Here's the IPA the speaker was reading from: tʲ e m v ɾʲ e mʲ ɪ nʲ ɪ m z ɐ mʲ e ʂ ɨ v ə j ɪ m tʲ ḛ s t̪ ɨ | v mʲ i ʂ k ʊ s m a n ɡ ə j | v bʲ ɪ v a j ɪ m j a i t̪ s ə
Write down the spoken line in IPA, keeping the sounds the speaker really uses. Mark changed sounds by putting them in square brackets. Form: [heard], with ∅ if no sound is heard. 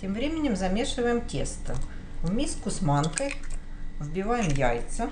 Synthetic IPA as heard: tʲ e m v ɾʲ e mʲ ɪ nʲ ɪ m z ɐ mʲ e ʂ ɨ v ə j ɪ m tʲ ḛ s t̪ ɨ | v mʲ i [s] k ʊ s m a n [k] ə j | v bʲ ɪ v a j ɪ m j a [j] t̪ s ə